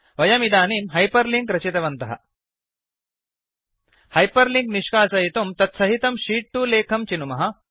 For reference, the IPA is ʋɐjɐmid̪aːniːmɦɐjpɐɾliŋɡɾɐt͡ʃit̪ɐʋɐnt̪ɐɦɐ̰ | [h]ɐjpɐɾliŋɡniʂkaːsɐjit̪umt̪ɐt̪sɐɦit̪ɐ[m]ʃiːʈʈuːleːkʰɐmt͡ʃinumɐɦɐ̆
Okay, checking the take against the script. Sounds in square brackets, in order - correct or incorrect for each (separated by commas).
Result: correct, correct